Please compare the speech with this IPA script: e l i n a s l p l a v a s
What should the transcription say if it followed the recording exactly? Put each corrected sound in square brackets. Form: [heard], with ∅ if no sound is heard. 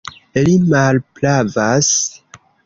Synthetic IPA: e l i [m] a [∅] l p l a v a s